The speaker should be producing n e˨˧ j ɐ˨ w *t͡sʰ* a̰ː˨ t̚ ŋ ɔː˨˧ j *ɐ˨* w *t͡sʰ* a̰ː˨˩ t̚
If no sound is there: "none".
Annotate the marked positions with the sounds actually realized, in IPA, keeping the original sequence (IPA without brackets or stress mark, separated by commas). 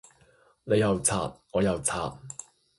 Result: t͡sʰ, ɐ˨, t͡sʰ